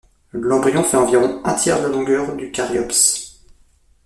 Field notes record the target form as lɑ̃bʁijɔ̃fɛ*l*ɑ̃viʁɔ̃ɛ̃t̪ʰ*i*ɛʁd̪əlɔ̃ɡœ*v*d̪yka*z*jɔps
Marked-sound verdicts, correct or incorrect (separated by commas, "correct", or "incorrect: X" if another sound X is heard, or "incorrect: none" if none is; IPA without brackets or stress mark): incorrect: none, incorrect: j, incorrect: ʁ, incorrect: ʁ